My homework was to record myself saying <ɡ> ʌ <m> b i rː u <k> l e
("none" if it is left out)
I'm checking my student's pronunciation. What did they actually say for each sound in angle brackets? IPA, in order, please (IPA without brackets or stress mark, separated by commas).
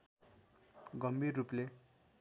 ɡ, m, p